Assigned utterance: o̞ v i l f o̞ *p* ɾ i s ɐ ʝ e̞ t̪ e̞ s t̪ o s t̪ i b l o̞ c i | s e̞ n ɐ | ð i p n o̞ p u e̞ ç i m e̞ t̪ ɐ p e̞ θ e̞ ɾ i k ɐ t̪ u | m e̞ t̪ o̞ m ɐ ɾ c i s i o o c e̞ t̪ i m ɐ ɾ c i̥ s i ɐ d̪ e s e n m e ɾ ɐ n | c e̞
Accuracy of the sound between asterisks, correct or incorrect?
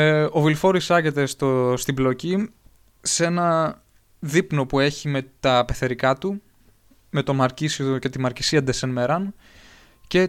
incorrect